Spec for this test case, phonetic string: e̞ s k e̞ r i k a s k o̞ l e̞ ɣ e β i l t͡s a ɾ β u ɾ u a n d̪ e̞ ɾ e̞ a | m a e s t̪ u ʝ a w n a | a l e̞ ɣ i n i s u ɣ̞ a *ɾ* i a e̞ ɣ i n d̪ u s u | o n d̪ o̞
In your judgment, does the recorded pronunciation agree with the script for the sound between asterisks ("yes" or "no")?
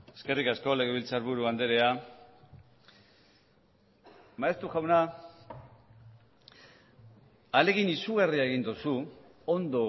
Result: no